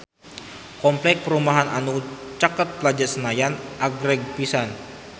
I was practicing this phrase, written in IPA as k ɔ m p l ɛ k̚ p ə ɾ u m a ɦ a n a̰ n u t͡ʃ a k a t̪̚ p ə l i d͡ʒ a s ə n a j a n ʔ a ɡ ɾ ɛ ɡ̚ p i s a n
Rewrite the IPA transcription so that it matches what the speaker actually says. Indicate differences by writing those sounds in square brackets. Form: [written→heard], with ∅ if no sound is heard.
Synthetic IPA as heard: k ɔ m p l ɛ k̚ p ə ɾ u m a ɦ a n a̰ n u t͡ʃ a k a t̪̚ p ə l [i→a] d͡ʒ a s ə n a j a n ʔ a ɡ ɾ ɛ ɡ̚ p i s a n